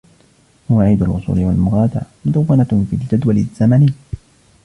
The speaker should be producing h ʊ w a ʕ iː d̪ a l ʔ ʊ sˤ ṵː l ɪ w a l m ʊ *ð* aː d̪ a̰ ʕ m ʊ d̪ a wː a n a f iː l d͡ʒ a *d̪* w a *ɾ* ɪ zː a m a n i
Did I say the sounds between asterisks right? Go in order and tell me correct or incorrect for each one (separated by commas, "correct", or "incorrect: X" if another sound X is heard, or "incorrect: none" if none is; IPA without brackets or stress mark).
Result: incorrect: ɣ, correct, incorrect: l